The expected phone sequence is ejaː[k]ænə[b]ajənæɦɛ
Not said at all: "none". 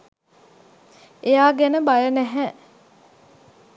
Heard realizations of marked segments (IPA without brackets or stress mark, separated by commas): ɡ, b